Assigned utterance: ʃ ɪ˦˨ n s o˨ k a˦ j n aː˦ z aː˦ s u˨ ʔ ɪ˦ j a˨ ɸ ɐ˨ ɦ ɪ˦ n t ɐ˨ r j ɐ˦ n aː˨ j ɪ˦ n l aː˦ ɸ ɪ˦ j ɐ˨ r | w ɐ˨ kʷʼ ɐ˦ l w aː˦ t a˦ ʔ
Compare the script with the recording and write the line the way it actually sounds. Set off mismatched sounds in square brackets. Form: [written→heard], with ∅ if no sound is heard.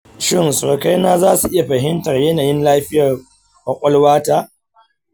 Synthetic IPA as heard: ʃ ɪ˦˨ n s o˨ k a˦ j n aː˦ z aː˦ s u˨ ʔ ɪ˦ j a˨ ɸ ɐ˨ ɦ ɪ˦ n t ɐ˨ r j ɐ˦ n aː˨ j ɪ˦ n l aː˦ ɸ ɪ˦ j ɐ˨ r | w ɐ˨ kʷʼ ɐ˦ l w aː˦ t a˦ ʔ